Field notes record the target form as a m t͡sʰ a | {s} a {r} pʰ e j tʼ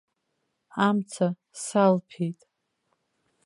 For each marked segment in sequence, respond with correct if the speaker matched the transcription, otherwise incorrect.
correct, incorrect

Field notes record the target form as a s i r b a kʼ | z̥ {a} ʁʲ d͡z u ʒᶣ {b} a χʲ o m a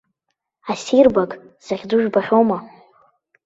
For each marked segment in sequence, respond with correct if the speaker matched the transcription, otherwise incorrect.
correct, correct

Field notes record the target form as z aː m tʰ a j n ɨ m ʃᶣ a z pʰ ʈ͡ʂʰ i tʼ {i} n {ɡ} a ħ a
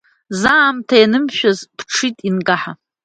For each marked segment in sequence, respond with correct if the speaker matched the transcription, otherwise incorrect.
correct, correct

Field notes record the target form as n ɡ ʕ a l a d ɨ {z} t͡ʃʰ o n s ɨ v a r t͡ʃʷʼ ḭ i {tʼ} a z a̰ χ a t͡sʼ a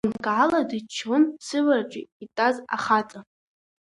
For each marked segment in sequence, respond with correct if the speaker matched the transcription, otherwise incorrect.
incorrect, correct

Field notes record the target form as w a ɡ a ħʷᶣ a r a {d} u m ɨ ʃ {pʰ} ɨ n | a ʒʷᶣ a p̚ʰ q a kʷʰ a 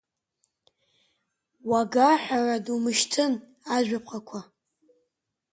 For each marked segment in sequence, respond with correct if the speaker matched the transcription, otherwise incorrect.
correct, incorrect

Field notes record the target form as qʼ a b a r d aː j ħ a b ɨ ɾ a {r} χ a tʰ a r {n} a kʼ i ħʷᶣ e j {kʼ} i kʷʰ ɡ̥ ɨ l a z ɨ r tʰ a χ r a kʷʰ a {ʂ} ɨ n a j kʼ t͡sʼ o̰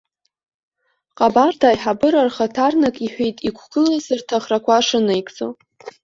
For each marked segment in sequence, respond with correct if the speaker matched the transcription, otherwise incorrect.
correct, correct, incorrect, correct

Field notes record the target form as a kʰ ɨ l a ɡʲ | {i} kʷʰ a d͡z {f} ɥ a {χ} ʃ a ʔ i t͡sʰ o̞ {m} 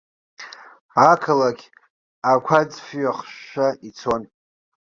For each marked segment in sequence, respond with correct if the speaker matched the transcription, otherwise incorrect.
incorrect, correct, correct, incorrect

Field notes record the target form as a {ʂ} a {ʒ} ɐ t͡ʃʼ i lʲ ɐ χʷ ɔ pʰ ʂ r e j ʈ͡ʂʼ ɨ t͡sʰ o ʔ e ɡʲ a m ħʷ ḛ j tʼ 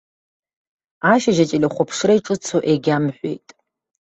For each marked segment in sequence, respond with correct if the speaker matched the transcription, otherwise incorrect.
incorrect, correct

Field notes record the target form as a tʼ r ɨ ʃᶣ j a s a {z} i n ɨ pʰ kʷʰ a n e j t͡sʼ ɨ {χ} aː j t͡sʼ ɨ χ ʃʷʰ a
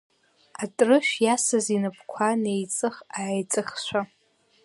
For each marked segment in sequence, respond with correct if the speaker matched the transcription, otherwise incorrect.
correct, correct

